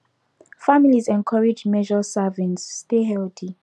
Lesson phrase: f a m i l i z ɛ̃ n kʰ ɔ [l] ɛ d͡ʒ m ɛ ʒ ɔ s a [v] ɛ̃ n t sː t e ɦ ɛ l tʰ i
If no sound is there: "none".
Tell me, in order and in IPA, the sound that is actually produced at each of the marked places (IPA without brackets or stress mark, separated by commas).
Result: ɹ, v